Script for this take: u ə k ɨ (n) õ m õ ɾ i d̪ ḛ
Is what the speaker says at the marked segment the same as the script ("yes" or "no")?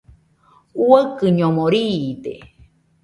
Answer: no